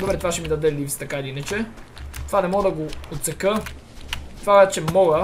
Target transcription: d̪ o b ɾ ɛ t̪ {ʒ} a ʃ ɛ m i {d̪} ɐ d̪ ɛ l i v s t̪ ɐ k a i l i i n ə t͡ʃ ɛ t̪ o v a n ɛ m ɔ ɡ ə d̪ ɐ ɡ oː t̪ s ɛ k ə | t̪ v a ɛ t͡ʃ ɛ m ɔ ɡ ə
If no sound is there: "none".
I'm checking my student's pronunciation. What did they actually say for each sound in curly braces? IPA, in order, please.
v, d̪

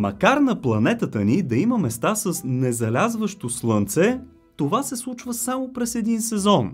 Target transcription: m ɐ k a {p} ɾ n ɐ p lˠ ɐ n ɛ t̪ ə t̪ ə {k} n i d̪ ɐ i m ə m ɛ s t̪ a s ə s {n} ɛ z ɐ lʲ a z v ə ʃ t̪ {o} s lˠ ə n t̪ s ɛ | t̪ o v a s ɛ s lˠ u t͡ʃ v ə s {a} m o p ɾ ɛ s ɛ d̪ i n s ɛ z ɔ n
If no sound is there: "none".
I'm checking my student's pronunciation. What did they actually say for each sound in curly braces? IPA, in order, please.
none, none, n, o, a

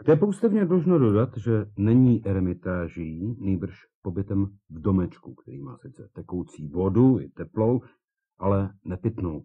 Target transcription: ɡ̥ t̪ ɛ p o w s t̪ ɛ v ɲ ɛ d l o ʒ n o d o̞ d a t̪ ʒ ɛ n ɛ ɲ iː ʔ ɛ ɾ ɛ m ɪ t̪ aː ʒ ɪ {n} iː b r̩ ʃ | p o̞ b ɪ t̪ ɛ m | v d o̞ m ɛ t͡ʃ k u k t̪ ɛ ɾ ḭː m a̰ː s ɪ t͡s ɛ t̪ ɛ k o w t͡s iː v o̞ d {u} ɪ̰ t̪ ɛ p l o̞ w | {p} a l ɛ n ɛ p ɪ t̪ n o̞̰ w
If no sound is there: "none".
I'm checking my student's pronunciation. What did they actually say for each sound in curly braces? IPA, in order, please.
n, u, ʔ

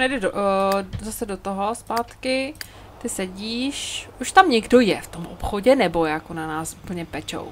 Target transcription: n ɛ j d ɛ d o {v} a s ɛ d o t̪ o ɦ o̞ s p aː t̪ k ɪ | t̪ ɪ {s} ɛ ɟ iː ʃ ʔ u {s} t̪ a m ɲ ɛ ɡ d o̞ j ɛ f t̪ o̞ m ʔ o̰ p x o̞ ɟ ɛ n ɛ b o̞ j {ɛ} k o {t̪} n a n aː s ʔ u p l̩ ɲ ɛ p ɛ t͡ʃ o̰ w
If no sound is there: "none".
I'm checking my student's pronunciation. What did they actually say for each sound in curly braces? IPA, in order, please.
z, s, ʃ, a, none

